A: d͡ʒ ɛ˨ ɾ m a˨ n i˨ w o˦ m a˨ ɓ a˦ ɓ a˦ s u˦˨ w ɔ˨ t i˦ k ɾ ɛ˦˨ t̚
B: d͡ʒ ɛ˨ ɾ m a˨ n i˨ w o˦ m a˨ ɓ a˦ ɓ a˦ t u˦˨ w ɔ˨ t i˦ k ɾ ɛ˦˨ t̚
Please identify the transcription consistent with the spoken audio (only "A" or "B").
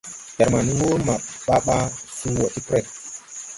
A